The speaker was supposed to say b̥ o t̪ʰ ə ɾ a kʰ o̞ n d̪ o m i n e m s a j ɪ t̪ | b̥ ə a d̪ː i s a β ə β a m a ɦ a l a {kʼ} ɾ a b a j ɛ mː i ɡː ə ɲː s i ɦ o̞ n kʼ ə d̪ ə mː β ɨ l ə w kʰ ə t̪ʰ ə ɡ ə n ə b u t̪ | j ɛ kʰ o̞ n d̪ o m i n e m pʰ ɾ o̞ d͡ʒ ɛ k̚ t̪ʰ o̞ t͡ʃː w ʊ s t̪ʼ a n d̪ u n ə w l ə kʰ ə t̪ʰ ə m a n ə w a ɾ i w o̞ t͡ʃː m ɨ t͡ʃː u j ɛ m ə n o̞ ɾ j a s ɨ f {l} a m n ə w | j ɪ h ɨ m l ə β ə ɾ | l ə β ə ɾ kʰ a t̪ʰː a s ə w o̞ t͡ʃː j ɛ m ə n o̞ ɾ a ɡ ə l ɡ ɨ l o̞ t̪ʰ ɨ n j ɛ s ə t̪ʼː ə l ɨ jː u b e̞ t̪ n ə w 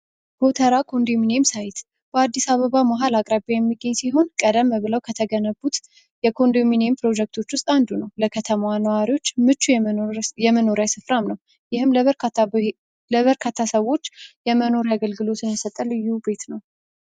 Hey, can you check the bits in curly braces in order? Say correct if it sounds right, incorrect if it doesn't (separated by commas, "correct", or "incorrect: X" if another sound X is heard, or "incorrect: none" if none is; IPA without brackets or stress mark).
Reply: correct, incorrect: ɾ